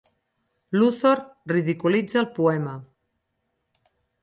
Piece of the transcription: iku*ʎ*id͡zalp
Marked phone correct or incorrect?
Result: incorrect